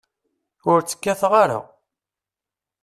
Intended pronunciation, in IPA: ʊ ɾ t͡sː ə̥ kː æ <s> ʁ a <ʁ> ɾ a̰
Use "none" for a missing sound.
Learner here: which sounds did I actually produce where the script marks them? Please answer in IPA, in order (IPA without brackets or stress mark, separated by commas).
θ, none